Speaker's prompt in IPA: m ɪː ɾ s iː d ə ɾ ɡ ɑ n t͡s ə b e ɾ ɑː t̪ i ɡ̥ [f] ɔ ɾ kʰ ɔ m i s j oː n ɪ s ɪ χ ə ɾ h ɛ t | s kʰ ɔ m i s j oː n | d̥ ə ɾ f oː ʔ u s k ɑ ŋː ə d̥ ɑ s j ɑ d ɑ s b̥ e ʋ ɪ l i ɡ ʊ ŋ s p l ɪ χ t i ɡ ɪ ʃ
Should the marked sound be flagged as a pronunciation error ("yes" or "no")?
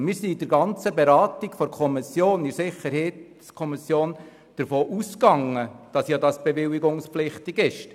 no